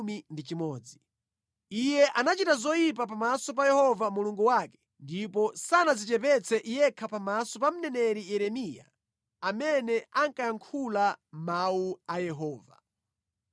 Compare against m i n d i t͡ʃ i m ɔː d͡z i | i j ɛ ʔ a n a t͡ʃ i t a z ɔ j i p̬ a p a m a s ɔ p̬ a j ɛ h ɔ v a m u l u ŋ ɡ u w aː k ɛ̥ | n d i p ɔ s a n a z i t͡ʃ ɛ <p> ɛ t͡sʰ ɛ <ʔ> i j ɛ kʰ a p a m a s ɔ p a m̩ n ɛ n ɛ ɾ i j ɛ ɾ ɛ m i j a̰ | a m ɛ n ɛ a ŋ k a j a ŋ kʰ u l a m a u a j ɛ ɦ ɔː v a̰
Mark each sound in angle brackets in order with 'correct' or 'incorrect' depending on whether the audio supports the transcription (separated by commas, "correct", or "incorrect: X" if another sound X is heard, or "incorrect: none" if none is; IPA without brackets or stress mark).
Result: correct, correct